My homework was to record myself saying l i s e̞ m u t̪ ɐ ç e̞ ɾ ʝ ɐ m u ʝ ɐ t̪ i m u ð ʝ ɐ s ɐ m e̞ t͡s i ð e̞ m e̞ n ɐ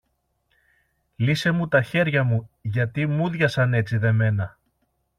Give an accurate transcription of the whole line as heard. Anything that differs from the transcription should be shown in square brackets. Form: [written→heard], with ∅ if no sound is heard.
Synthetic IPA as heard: l i s e̞ m u t̪ ɐ ç e̞ ɾ ʝ ɐ m u ʝ ɐ t̪ i m u ð ʝ ɐ s ɐ [m→n] e̞ t͡s i ð e̞ m e̞ n ɐ